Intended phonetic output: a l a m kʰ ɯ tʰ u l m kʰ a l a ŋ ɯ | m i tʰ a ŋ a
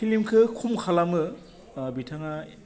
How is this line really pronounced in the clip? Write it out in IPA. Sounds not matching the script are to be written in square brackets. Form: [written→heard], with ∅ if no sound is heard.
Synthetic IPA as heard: [a→i] l [a→i] m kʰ ɯ [tʰ→kʰ] u [l→∅] m kʰ a l a [ŋ→m] ɯ | [m→b] i tʰ a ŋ a